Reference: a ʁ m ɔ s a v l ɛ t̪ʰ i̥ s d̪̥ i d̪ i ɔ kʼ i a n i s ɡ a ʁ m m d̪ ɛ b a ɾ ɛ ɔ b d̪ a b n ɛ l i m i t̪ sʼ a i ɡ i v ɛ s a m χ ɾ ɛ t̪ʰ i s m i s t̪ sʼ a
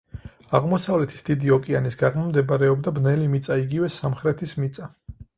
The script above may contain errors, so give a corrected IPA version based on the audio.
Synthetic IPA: a ʁ m ɔ s a v l ɛ t̪ʰ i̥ s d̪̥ i d̪ i ɔ kʼ i a n i s ɡ a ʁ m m d̪ ɛ b a ɾ ɛ ɔ b d̪ a b n ɛ l i m i t̪ sʼ a i ɡ i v ɛ s a m χ ɾ ɛ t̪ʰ i s m i t̪ sʼ a